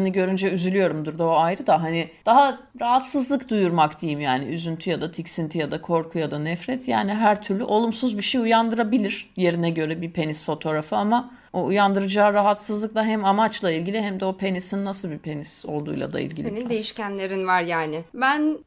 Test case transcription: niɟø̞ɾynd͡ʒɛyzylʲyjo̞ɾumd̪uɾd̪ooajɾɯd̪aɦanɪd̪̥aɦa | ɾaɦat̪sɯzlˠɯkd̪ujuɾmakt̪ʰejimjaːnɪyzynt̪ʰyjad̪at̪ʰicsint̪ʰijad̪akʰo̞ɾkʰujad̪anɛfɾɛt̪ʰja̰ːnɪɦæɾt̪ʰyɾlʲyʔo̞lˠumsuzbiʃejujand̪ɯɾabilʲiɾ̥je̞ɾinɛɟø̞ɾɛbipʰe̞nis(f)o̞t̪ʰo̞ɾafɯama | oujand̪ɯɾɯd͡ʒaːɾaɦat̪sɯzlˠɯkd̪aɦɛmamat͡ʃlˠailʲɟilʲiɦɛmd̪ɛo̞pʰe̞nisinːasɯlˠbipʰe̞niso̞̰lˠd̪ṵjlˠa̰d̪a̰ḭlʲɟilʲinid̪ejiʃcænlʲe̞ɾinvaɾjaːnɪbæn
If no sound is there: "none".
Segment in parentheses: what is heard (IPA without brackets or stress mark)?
f